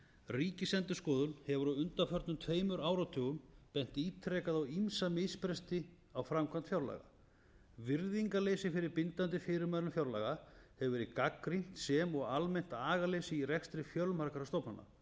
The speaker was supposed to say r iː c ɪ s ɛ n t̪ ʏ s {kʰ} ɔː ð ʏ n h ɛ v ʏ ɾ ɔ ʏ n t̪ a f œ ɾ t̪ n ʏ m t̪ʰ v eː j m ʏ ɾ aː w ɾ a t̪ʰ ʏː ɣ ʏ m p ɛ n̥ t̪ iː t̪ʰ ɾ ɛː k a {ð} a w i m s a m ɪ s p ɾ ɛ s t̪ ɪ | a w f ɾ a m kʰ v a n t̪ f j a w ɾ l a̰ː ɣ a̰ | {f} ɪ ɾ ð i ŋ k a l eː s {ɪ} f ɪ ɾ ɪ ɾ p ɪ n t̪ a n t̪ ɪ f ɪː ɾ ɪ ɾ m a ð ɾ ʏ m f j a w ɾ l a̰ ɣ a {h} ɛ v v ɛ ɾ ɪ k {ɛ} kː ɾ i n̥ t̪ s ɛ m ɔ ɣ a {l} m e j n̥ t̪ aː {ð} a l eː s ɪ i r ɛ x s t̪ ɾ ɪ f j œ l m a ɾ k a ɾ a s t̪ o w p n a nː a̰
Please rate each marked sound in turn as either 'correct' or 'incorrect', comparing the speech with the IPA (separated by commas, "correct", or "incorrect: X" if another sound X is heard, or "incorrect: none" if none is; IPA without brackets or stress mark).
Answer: incorrect: k, correct, incorrect: v, correct, correct, incorrect: a, correct, incorrect: ɣ